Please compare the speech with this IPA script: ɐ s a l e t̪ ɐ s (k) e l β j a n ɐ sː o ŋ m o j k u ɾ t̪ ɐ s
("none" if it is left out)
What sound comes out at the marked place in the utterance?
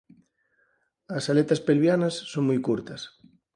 p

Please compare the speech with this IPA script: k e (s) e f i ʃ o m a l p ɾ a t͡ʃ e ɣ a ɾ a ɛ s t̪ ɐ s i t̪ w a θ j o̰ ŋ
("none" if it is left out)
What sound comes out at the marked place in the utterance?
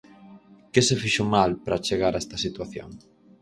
s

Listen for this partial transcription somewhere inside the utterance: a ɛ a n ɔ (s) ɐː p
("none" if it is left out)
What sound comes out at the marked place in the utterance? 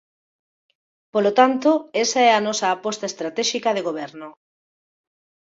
s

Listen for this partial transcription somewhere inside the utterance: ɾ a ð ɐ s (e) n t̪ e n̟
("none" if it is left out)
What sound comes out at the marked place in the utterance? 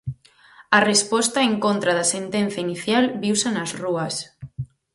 e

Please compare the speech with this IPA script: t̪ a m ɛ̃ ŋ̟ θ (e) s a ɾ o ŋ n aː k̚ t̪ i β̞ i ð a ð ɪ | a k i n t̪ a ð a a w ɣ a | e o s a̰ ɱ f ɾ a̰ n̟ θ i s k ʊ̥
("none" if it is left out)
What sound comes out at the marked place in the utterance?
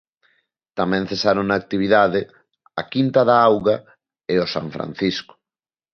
e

